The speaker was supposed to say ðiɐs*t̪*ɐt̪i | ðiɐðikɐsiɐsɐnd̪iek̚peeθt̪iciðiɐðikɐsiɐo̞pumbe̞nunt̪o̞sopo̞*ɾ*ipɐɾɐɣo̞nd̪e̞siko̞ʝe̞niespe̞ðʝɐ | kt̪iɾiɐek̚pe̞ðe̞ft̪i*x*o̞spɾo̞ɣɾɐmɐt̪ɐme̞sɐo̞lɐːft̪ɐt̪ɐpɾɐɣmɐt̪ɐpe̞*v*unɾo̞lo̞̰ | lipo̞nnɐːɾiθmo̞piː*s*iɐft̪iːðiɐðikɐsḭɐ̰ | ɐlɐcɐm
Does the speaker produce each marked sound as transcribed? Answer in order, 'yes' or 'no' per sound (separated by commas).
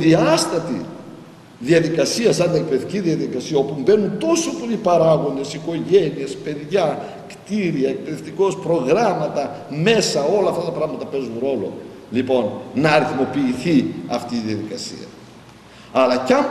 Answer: yes, no, no, no, no